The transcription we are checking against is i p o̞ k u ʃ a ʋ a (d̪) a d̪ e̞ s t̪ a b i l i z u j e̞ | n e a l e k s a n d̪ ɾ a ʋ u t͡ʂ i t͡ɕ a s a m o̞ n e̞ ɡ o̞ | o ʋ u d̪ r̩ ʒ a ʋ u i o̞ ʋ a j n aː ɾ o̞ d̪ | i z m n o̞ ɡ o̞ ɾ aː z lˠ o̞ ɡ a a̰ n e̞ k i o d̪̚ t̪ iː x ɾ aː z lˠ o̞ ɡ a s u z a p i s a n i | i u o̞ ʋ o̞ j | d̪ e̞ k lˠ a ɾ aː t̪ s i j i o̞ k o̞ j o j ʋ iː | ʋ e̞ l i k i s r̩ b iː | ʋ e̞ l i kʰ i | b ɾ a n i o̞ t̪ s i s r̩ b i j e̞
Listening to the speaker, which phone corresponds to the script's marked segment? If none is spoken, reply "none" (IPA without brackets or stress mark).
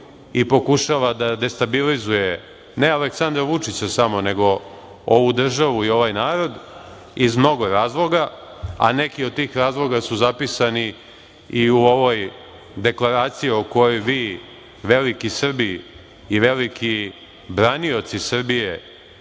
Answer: d̪